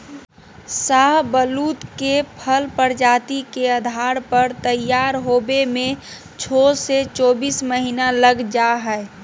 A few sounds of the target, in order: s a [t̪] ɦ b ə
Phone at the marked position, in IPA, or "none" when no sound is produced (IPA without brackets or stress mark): none